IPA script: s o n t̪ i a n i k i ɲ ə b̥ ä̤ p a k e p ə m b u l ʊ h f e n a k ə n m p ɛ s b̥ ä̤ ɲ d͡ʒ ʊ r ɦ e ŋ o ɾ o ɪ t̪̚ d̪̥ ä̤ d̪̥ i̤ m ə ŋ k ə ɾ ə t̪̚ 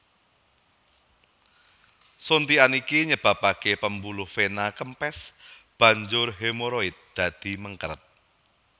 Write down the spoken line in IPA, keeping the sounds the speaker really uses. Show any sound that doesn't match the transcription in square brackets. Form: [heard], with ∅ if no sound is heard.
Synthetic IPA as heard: s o n t̪ i a n i k i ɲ ə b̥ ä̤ p a k e p ə m b u l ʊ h f e n a k ə [∅] m p ɛ s b̥ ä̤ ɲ d͡ʒ ʊ r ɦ e [m] o ɾ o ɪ t̪̚ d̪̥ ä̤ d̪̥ i̤ m ə ŋ k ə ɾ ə t̪̚